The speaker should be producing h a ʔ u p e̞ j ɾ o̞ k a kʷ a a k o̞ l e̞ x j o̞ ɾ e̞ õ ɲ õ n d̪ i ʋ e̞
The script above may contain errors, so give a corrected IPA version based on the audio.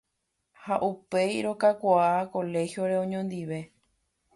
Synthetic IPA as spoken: h a ʔ u p e̞ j ɾ o̞ k a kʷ a a k o̞ l e̞ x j o̞ ɾ e̞ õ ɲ õ n d̪ i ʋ e̞

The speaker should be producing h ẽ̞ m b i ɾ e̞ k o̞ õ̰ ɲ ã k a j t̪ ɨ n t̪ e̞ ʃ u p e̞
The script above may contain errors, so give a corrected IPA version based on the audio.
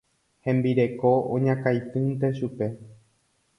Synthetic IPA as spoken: h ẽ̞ m b i ɾ e̞ k o̞ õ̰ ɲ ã k a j t̪ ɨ n t̪ e̞ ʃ u p e̞

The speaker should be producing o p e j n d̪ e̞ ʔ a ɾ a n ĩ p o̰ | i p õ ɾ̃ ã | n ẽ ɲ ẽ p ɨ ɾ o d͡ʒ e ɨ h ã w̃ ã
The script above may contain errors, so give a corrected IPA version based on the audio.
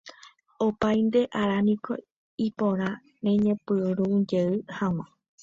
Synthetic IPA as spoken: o p a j n d̪ e̞ ʔ a ɾ a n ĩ k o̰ | i p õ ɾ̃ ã | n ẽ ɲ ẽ p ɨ ɾ u d͡ʒ e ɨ h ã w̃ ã

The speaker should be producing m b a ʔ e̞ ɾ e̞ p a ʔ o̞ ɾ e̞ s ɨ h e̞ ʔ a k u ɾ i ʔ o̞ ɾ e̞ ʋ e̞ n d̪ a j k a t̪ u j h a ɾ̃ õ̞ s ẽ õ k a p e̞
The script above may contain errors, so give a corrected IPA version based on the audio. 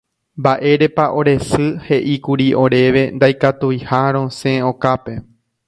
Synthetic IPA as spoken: m b a ʔ e̞ ɾ e̞ p a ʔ o̞ ɾ e̞ s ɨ h e̞ ʔ i k u ɾ i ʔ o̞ ɾ e̞ ʋ e̞ n d̪ a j k a t̪ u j h a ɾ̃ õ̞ s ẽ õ k a p e̞

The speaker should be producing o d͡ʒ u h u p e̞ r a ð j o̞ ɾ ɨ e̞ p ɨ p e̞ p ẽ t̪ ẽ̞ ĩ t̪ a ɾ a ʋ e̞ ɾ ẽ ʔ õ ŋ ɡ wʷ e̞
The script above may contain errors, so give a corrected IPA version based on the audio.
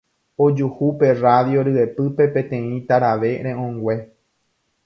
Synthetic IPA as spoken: o d͡ʒ u h u p e̞ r a ð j o̞ ɾ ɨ e̞ p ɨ p e̞ p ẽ t̪ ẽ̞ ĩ t̪ a ɾ a ʋ e̞ ɾ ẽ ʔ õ ŋ ɡ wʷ e̞

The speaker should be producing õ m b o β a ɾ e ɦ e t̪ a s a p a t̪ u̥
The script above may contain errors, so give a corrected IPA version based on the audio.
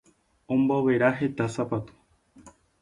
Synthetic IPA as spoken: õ m b o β e ɾ a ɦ e t̪ a s a p a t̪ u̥

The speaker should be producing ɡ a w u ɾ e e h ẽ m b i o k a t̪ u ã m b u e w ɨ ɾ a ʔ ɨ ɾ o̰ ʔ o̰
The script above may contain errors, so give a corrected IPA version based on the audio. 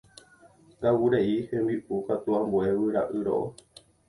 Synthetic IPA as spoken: ɡ a w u ɾ e i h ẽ m b i u k a t̪ u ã m b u e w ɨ ɾ a ʔ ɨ ɾ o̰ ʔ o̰

